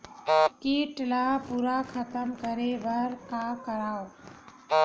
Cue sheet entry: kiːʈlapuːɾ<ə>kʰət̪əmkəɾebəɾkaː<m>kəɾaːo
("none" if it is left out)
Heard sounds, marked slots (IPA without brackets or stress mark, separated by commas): a, none